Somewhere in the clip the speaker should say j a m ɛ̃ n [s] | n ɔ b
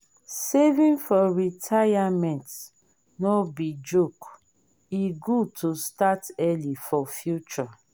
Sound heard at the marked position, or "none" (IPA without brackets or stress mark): t